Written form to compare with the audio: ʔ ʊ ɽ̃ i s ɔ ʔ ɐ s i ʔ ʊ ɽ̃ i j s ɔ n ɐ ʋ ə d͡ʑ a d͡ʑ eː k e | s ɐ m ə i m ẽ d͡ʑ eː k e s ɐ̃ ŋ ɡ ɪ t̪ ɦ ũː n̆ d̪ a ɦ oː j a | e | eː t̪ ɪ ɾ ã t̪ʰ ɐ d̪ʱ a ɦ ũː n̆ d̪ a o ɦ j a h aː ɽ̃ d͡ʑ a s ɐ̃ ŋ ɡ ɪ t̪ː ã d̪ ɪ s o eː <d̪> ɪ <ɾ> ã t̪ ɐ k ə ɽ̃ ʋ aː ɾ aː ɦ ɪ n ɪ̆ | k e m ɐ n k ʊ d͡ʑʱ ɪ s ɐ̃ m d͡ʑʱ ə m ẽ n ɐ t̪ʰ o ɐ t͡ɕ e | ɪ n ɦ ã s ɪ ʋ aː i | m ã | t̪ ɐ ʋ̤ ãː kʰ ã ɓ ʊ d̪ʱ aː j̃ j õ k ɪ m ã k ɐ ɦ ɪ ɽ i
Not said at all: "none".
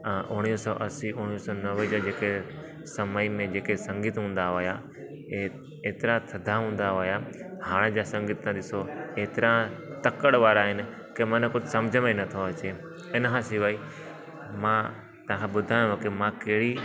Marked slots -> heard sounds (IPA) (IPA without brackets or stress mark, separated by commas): t̪, ɾ